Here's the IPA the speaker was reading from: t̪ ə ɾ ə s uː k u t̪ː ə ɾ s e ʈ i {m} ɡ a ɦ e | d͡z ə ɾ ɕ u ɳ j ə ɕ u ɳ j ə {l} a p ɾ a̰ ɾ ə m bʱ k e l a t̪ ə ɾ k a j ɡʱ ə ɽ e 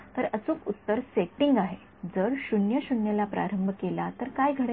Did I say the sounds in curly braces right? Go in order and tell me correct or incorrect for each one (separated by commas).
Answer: incorrect, correct